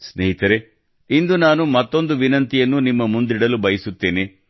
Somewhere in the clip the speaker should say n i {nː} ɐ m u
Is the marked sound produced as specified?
no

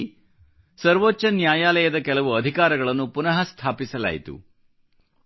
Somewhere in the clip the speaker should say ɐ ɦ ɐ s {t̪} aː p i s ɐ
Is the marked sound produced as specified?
no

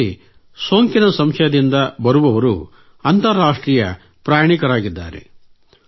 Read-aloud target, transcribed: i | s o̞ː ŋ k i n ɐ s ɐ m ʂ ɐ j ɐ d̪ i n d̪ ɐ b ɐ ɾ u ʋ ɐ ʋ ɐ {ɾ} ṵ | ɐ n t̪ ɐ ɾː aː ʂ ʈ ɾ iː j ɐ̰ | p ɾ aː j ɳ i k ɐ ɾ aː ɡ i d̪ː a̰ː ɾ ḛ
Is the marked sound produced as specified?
yes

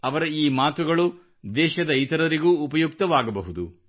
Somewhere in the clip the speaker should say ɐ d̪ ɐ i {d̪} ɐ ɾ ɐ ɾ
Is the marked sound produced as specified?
no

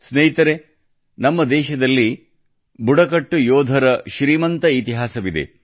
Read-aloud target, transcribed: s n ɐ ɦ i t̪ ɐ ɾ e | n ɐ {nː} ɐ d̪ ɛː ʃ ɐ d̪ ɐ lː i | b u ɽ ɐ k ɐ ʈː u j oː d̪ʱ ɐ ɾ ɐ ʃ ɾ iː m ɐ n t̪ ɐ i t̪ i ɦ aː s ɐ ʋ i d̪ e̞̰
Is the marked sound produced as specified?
no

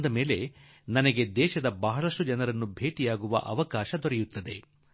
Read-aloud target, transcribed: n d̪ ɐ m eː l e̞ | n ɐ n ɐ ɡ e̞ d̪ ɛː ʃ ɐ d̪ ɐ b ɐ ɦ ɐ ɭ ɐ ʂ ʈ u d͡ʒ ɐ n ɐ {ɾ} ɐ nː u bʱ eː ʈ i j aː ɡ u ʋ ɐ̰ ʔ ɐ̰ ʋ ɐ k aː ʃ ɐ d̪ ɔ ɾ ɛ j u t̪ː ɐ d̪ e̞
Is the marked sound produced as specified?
yes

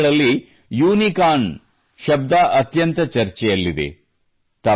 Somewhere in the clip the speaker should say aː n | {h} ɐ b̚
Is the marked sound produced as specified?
no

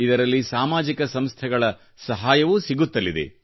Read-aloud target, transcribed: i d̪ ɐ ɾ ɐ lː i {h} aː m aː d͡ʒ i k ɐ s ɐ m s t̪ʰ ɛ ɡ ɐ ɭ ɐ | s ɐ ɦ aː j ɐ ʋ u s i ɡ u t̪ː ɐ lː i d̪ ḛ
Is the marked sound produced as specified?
no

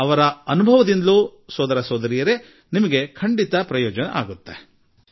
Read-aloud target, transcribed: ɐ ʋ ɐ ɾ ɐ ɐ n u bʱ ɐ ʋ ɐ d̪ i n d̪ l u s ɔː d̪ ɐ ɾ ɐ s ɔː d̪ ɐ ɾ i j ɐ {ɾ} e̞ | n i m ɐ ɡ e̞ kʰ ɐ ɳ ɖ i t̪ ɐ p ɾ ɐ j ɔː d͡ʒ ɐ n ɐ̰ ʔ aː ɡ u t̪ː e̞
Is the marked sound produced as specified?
yes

